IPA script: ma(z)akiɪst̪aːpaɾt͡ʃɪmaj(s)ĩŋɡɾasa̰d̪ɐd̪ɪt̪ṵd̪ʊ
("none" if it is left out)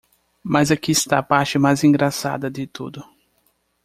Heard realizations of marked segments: z, z

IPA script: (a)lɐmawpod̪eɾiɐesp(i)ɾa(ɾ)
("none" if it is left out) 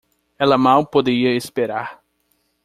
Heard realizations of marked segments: ɛ, e, ɾ

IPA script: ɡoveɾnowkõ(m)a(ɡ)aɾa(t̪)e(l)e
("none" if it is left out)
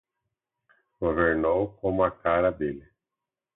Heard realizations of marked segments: m, k, d̪, l

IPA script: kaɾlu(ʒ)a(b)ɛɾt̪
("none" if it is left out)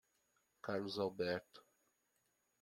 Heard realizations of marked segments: z, b

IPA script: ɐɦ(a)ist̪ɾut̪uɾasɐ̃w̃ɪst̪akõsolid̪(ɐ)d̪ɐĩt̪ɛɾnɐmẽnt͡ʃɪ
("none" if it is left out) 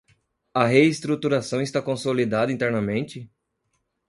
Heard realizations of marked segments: e, a

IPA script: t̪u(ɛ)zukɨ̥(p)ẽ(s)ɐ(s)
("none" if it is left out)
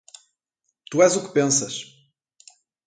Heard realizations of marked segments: ɛ, p, s, ʃ

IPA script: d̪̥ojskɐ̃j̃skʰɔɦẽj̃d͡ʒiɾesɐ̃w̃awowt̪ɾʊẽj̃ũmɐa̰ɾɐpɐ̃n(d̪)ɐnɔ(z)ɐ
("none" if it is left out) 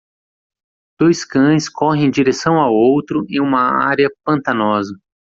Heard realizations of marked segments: t̪, z

